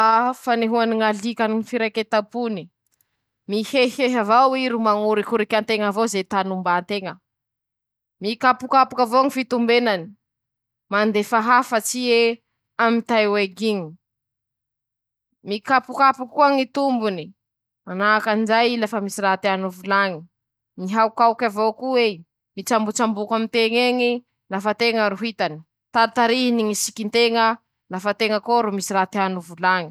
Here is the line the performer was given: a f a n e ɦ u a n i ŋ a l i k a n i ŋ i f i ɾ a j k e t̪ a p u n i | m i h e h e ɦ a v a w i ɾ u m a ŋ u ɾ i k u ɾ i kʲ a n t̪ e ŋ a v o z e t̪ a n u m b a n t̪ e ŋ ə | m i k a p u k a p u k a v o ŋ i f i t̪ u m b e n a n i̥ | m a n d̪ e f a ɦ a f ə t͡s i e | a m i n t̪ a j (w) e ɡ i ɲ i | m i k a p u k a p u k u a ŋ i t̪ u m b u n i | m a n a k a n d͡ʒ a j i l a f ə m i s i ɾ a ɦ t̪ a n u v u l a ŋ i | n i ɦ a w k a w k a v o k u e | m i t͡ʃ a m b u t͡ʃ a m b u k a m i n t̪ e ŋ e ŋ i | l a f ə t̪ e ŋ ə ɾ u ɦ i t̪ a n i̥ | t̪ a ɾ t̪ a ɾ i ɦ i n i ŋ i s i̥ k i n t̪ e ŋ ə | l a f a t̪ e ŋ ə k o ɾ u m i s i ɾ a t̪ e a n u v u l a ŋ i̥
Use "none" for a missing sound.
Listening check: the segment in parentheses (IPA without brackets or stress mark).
w